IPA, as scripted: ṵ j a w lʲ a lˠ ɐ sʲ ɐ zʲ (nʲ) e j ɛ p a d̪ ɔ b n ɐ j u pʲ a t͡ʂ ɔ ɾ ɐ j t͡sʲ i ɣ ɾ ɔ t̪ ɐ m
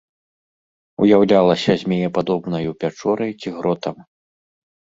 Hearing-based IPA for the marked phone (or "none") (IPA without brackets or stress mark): mʲ